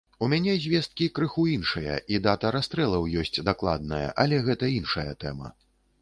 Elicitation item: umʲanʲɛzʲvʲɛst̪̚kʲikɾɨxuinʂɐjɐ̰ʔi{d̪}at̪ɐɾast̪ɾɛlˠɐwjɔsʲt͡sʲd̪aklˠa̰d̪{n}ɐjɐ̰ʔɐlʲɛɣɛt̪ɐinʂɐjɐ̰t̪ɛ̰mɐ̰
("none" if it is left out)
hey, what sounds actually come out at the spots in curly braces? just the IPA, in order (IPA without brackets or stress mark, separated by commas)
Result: d̪, n